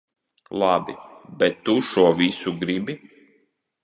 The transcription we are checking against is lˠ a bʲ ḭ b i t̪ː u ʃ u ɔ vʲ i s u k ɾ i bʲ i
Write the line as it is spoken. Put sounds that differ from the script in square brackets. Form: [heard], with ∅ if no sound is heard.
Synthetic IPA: lˠ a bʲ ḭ b [ɛ] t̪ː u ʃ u ɔ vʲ i s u [ɡ] ɾ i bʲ i